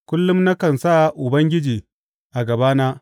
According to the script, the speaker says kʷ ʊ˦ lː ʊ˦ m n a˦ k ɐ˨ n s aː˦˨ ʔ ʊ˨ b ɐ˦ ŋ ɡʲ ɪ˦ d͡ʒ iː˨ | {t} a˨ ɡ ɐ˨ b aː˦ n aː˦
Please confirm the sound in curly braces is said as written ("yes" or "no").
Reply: no